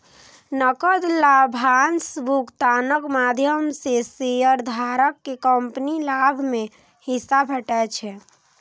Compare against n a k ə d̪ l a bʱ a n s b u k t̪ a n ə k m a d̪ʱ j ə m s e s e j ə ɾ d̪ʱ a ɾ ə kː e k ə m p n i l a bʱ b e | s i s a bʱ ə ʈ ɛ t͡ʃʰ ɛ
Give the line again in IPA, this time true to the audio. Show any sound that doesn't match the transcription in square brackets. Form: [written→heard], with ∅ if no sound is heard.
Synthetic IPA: n [a→ə] k ə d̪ l a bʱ a n s b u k t̪ a n ə k m a d̪ʱ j ə m s e s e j ə ɾ d̪ʱ a ɾ ə kː e k ə m p n i l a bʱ [b→m] e | [s→h] i s a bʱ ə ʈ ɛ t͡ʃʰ ɛ